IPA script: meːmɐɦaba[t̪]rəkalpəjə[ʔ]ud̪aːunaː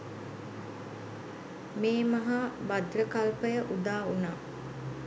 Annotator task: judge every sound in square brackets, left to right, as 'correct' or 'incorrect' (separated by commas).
incorrect, correct